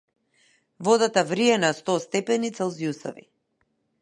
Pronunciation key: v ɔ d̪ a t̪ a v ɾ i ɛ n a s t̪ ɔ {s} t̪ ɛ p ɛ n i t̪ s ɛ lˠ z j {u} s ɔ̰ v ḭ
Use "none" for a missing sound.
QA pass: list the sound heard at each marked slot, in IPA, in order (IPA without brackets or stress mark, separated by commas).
s, u